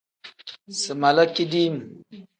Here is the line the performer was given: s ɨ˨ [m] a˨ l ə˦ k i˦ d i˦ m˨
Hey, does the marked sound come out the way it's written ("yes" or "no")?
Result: yes